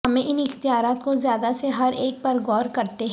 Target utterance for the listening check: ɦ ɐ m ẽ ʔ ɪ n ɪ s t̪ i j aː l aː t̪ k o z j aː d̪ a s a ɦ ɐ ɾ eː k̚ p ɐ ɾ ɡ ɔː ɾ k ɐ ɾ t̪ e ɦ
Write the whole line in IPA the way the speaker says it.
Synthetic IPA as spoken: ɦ ɐ m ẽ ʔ ɪ n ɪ x t̪ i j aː ɾ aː t̪ k o z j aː d̪ a s e ɦ ɐ ɾ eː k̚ p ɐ ɾ ɡ ɔː ɾ k ɐ ɾ t̪ e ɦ